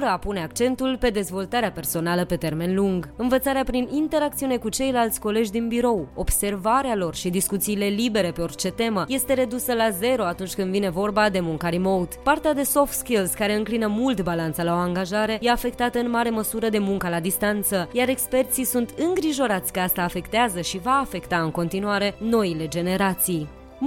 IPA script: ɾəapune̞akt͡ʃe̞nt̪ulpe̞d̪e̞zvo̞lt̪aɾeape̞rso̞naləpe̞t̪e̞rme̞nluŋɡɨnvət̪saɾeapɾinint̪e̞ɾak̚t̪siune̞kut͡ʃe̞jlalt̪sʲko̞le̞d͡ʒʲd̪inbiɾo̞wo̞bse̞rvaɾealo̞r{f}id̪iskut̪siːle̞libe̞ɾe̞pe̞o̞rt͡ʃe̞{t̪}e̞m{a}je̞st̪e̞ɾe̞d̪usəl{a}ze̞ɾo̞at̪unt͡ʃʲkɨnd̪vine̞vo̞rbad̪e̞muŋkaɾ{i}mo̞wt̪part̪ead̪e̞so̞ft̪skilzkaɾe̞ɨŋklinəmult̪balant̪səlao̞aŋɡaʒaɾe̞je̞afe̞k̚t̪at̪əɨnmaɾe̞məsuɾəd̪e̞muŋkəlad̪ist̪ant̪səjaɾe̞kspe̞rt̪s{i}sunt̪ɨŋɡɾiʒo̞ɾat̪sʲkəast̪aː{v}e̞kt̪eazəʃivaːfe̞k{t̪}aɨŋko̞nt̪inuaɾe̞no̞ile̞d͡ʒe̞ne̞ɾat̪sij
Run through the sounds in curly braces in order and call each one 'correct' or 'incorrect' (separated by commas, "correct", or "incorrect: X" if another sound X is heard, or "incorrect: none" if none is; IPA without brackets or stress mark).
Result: incorrect: ʃ, correct, incorrect: ə, correct, correct, correct, incorrect: f, correct